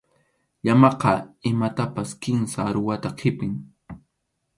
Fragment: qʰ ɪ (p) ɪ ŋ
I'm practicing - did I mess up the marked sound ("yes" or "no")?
no